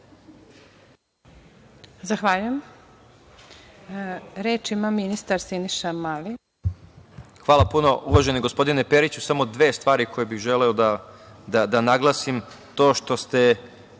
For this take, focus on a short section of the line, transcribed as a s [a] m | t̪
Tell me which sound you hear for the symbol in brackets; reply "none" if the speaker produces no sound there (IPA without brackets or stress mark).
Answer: i